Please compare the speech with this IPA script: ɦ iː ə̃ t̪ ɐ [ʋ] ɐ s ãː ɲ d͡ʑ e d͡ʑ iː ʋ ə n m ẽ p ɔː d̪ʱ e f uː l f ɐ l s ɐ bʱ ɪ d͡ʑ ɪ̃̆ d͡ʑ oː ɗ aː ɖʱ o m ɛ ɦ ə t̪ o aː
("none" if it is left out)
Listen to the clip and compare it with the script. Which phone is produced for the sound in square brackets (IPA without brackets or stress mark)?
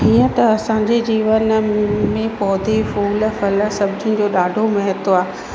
none